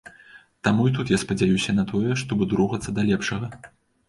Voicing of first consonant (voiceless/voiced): voiceless